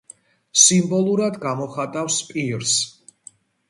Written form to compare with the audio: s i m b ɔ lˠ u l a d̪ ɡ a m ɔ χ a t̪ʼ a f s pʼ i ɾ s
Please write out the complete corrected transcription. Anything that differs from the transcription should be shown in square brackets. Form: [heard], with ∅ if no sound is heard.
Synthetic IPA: s i m b ɔ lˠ u [ɾ] a d̪ ɡ a m ɔ χ a t̪ʼ a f s pʼ i ɾ s